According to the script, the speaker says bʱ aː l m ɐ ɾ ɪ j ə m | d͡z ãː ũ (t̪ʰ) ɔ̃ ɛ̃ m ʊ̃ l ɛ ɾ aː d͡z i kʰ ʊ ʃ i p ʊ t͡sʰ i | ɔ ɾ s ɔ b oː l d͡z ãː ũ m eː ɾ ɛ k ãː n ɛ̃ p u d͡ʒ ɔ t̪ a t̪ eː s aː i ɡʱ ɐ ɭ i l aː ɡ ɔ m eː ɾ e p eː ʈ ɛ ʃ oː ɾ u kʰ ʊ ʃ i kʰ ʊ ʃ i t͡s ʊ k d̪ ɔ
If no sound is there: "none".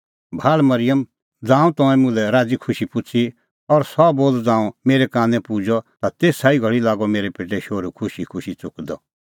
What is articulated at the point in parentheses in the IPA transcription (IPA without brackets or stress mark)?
t̪